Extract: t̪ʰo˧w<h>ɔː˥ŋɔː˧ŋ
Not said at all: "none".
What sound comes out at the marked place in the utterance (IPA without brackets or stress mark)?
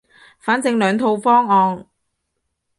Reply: f